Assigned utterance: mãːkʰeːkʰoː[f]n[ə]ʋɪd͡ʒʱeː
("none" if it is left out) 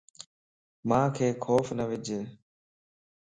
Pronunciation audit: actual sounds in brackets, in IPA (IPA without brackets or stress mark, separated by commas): f, ə